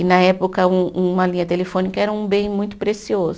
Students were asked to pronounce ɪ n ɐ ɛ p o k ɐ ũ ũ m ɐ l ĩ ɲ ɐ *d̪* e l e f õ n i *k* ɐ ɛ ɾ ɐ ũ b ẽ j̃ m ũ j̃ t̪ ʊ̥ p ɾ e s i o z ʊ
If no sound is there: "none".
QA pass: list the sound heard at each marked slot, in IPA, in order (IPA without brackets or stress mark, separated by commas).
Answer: t̪, k